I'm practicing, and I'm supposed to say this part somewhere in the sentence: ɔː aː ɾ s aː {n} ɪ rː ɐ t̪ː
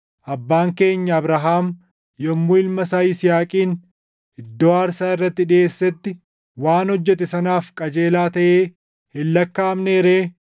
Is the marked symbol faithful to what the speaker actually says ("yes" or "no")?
no